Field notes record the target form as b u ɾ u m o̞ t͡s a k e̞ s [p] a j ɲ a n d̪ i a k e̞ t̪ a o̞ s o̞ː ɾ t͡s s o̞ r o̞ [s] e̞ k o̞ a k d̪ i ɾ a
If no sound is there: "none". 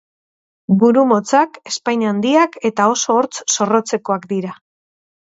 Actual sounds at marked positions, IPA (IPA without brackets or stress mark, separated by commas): p, t͡s